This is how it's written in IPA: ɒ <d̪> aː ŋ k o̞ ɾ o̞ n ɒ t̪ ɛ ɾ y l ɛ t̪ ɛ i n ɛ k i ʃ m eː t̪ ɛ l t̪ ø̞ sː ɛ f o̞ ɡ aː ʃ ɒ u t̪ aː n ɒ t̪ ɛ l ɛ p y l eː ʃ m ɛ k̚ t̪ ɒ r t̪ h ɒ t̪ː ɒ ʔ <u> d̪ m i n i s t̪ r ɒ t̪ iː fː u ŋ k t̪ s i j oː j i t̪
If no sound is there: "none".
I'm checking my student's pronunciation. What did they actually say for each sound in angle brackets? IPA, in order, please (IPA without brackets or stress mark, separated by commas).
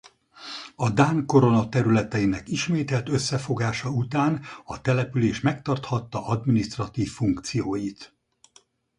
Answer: d̪, ɒ